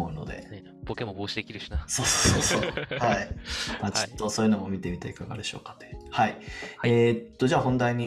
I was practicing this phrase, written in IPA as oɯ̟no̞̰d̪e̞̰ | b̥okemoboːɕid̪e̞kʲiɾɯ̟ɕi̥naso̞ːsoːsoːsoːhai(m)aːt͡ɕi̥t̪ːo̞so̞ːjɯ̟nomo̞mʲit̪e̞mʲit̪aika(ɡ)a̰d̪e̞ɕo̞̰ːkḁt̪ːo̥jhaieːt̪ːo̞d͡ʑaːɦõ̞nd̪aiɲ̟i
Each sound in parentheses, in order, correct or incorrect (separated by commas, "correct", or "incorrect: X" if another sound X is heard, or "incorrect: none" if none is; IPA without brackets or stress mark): correct, correct